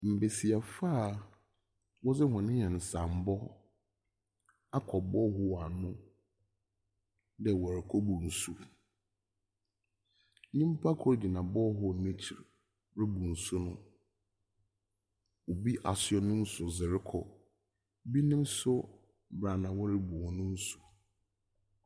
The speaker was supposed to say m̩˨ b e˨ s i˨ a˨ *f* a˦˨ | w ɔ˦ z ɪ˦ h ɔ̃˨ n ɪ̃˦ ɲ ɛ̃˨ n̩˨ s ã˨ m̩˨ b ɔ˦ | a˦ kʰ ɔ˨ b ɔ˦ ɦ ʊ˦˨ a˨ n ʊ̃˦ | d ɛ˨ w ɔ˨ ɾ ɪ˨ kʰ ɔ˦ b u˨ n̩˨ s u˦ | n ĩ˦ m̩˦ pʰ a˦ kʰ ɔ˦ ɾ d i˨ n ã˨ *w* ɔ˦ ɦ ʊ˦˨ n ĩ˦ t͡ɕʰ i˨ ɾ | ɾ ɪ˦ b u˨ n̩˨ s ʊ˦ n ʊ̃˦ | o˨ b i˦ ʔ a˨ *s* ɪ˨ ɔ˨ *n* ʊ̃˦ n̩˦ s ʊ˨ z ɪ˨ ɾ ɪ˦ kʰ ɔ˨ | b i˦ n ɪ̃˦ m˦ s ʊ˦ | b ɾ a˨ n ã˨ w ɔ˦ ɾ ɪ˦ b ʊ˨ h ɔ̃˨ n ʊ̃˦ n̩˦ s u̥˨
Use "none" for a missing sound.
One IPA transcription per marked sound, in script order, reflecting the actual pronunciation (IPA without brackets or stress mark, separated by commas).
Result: f, b, s, n